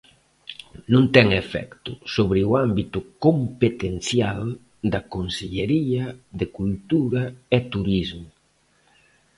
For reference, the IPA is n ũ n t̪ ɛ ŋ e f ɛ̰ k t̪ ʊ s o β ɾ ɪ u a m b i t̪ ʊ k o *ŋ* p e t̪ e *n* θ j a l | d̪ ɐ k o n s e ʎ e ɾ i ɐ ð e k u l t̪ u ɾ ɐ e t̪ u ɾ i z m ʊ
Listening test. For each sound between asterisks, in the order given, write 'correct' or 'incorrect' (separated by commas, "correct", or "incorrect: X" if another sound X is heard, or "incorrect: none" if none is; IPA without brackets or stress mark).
incorrect: m, correct